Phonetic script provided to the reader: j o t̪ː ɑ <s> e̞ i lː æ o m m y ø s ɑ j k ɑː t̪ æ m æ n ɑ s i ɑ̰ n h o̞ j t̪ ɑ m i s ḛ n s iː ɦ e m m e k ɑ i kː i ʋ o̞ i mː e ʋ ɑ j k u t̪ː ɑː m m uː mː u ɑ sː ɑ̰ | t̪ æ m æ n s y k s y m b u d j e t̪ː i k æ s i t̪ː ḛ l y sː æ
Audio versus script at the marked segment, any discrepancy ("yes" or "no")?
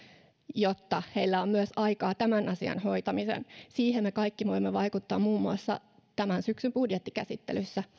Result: yes